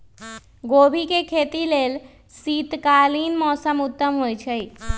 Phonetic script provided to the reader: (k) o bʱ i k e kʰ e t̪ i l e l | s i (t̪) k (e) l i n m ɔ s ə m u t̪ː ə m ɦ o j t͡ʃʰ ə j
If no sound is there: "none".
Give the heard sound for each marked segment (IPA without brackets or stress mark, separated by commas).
ɡ, t̪, a